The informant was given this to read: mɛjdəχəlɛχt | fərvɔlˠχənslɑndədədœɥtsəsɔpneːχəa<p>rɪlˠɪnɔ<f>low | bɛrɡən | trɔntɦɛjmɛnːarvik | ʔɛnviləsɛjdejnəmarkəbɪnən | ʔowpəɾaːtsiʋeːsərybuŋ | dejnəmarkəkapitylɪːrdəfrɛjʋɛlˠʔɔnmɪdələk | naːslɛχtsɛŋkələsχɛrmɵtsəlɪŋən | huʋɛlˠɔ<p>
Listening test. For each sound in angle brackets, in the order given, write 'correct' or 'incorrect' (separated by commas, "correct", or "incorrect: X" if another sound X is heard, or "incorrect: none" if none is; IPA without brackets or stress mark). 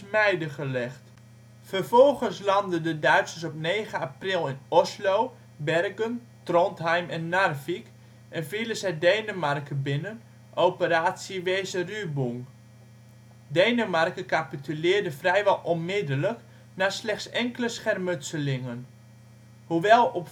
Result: correct, incorrect: s, correct